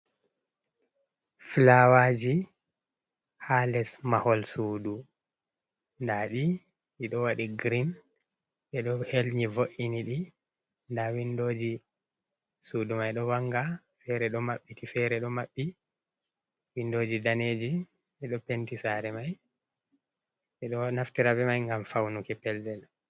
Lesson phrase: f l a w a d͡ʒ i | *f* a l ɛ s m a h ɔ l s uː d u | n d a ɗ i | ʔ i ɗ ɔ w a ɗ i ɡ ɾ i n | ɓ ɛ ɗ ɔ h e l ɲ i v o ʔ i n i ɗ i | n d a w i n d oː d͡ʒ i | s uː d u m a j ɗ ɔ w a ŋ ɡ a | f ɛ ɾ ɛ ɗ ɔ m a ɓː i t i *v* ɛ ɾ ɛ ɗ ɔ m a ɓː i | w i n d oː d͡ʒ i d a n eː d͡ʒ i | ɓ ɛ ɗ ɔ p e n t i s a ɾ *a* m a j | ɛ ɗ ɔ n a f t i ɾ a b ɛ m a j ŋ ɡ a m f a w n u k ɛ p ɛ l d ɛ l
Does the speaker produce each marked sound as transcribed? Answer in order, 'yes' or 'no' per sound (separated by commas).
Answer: no, no, no